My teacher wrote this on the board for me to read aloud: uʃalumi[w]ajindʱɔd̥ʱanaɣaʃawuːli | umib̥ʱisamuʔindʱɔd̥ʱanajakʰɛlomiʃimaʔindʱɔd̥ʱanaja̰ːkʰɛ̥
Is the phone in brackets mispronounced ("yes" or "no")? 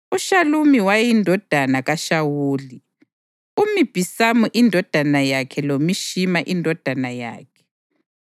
no